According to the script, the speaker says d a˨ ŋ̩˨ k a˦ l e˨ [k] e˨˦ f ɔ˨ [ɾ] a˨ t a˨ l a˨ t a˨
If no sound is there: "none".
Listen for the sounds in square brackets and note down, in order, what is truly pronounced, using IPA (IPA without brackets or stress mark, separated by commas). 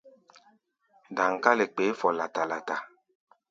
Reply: k͡p, l